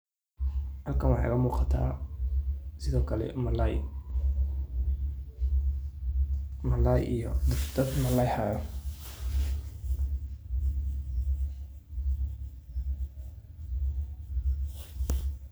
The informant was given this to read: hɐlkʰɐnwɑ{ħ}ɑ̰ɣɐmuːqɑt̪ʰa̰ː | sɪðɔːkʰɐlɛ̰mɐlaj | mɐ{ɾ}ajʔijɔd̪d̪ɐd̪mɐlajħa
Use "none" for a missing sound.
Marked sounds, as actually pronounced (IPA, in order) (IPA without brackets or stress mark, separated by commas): ħ, l